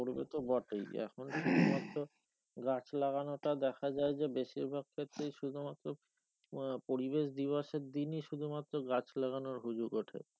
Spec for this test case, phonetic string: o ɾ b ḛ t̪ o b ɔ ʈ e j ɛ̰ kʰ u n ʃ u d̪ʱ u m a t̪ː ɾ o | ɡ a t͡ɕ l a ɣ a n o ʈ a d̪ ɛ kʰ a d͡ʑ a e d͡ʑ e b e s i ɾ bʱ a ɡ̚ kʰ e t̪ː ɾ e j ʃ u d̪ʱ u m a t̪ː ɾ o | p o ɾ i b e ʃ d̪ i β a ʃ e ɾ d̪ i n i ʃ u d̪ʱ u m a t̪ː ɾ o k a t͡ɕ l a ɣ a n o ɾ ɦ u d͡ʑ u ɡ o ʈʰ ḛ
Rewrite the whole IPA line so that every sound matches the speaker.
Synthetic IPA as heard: o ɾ b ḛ t̪ o b ɔ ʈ e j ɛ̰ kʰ o n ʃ u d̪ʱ u m a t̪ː ɾ o | ɡ a t͡ɕ l a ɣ a n o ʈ a d̪ ɛ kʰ a d͡ʑ a e d͡ʑ e b e ʃ i ɾ bʱ a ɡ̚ kʰ e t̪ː ɾ e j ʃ u d̪ʱ u m a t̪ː ɾ o | p o ɾ i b e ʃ d̪ i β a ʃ e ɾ d̪ i n i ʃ u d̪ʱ u m a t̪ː ɾ o ɡ a t͡ɕ l a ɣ a n o ɾ ɦ u d͡ʑ u ɡ o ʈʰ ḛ